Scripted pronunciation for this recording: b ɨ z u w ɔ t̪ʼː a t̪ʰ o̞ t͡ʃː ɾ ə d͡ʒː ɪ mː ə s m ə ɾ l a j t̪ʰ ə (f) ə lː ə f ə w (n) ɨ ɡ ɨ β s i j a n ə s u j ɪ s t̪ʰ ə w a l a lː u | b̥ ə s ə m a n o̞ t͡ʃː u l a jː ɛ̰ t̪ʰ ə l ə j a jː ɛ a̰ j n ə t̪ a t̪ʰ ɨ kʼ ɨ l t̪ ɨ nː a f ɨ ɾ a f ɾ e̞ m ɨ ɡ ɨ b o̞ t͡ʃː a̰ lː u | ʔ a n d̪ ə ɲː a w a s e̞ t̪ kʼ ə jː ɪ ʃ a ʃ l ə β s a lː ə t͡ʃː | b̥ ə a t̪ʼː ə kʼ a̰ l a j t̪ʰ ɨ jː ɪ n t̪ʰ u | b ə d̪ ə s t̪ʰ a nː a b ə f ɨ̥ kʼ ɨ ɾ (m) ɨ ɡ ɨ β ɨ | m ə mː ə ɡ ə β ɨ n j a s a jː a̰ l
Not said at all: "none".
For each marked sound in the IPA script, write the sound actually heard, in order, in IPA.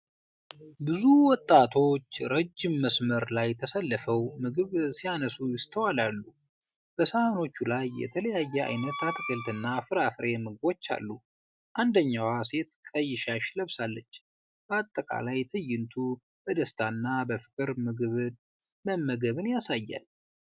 s, m, m

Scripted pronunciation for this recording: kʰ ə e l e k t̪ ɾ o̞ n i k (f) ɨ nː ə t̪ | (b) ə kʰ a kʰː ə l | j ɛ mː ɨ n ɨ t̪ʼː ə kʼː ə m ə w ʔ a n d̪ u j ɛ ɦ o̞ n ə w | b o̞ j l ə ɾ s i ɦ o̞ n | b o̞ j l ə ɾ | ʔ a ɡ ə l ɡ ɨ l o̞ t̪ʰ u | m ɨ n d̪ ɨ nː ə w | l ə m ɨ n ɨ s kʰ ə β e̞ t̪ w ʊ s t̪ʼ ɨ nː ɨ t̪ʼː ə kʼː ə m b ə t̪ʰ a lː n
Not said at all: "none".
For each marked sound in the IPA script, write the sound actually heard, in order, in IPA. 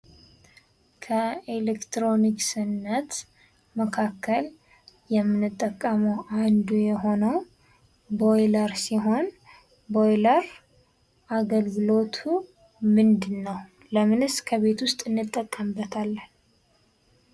s, m

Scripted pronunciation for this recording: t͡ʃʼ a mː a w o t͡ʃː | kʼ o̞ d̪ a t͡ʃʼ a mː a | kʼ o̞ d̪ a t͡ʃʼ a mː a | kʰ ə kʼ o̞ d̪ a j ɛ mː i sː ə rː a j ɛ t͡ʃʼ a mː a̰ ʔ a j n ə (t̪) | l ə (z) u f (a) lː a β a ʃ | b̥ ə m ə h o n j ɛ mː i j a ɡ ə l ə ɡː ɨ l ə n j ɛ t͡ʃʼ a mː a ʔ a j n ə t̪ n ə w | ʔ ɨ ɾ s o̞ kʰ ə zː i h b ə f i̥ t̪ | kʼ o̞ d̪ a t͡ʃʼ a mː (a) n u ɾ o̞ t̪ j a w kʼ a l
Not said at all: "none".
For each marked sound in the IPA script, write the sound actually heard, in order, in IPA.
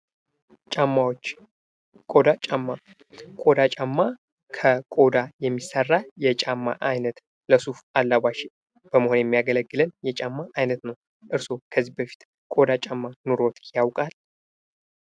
t̪, s, a, a

